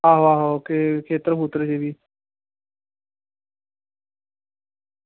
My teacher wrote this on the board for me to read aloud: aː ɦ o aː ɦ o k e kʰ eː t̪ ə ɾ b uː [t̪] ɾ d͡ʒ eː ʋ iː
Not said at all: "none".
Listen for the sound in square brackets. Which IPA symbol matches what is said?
t̪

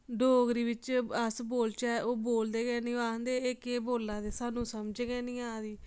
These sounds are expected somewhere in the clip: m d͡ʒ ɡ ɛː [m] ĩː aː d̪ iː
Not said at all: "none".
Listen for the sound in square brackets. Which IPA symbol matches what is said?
n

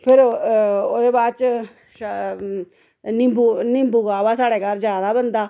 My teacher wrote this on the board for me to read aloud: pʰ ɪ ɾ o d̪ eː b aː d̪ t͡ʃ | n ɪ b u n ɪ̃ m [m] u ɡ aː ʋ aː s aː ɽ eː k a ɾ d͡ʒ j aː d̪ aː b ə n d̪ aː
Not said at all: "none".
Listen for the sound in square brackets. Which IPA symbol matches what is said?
b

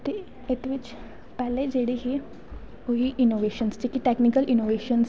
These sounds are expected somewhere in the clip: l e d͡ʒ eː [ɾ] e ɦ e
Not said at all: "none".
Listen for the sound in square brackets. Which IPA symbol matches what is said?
ɽ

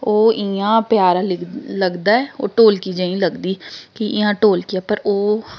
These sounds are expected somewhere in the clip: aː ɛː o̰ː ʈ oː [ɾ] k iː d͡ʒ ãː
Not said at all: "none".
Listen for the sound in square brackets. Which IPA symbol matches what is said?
l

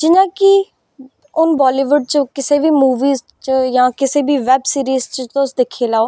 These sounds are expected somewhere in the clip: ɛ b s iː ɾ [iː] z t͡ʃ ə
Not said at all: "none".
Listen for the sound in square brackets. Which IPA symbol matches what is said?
iː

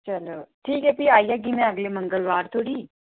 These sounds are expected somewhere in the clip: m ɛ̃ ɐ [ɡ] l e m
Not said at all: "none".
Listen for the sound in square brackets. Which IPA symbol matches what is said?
ɡ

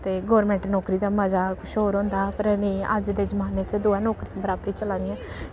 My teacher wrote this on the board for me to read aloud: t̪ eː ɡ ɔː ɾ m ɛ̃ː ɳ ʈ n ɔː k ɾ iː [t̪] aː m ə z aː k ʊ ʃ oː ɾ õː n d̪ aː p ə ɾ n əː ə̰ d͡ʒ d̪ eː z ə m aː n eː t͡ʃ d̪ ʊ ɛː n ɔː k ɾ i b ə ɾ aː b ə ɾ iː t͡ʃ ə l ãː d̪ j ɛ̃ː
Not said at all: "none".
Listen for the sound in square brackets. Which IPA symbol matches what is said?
d̪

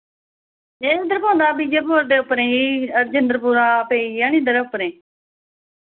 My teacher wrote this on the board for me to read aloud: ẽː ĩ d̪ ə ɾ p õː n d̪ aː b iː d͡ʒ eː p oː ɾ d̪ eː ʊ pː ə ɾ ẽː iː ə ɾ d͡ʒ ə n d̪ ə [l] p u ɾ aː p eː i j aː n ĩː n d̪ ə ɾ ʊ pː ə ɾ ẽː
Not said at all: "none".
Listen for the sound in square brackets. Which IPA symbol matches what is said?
ɾ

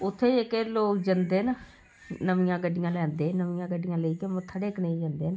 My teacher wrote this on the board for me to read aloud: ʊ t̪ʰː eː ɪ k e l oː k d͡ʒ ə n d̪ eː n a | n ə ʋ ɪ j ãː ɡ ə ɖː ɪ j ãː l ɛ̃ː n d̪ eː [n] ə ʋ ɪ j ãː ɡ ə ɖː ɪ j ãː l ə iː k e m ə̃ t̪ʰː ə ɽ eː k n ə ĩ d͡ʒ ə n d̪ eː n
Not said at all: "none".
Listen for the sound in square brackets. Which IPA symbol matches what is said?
n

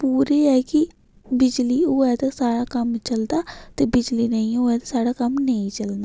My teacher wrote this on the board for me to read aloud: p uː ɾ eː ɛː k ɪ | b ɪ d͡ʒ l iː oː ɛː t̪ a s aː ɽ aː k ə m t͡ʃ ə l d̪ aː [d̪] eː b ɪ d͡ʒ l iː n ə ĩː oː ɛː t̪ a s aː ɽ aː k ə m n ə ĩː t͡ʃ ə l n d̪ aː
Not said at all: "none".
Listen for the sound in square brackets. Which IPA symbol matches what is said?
t̪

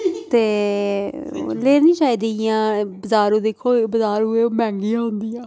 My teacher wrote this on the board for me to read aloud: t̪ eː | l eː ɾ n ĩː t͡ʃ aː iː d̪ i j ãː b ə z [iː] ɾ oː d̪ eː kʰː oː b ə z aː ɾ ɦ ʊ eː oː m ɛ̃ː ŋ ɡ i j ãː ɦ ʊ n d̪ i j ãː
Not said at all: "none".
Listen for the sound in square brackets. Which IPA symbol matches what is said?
aː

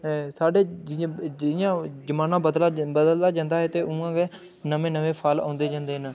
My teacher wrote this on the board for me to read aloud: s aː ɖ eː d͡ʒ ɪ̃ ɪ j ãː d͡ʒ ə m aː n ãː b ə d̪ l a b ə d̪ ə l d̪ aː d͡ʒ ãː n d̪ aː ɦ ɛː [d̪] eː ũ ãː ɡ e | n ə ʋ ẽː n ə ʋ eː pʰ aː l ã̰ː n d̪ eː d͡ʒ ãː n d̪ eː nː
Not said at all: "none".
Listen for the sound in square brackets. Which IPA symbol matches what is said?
t̪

